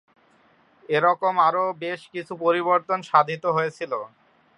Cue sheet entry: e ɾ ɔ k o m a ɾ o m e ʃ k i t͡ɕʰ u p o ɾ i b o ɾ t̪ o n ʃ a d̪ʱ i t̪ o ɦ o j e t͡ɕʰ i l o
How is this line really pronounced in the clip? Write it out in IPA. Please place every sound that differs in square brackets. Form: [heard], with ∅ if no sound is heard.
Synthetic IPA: e ɾ ɔ k o m a ɾ o [b] e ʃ k i t͡ɕʰ u p o ɾ i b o ɾ t̪ o n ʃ a d̪ʱ i t̪ o ɦ o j e t͡ɕʰ i l o